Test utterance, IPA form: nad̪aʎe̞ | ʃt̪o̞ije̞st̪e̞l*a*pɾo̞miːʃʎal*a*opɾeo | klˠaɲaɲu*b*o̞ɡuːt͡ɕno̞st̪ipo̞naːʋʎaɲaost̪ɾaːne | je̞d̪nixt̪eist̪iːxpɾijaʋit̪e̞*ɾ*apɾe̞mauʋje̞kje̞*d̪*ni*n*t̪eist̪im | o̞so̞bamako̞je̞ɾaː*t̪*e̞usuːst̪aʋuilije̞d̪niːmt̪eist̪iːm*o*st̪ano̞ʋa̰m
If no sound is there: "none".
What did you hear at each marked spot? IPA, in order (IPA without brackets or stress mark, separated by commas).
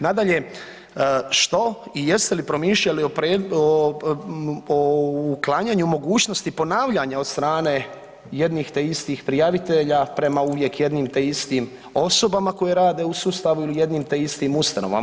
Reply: i, i, m, ʎ, d̪, m, d̪, u